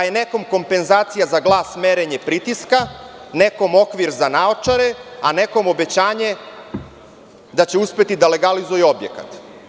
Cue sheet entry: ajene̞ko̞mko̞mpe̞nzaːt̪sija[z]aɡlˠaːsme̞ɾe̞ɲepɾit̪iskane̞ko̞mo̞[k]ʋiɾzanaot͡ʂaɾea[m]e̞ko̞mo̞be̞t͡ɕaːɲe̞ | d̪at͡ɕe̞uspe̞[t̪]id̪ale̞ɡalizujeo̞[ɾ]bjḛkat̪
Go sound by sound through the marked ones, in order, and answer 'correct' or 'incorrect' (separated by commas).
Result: correct, correct, incorrect, correct, incorrect